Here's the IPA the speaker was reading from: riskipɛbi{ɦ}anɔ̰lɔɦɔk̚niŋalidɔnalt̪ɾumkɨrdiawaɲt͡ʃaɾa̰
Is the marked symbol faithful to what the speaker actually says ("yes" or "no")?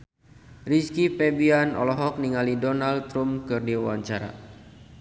no